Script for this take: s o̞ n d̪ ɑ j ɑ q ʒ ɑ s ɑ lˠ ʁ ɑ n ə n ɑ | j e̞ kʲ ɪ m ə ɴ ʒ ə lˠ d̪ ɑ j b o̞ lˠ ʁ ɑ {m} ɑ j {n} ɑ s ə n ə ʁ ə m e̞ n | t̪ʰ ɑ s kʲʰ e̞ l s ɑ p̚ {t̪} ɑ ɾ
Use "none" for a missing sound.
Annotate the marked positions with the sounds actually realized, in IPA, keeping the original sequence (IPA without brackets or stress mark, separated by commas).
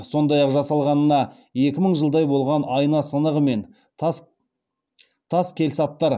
n, n, t̪